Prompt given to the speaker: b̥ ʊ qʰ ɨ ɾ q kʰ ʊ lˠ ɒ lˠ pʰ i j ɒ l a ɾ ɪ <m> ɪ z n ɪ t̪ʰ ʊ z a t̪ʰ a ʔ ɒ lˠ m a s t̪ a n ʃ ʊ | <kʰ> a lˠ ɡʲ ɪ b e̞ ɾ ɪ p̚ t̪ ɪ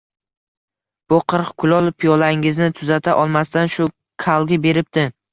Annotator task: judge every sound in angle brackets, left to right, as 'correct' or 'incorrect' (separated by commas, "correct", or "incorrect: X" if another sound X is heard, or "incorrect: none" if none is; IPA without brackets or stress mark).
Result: incorrect: ŋ, correct